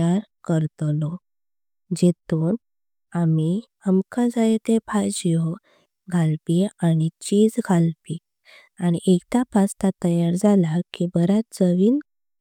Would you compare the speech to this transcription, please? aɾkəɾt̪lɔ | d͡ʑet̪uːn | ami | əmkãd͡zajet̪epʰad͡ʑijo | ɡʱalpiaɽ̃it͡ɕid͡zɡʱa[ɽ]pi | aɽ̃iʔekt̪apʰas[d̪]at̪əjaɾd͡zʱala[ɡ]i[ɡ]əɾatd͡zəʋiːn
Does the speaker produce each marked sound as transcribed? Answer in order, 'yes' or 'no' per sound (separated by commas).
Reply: no, no, no, no